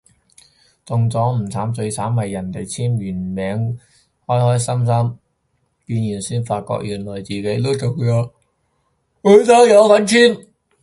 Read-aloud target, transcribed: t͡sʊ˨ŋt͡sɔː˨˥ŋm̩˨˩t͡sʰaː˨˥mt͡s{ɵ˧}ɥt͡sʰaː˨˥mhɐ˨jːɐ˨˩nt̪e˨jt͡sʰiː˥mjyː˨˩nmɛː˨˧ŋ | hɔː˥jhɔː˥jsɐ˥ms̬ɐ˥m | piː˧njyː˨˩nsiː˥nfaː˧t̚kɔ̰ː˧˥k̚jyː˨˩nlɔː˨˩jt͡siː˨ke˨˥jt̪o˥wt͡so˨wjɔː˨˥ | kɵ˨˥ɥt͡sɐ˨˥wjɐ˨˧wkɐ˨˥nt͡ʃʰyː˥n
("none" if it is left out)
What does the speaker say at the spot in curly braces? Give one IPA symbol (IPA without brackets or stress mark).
ɵ˧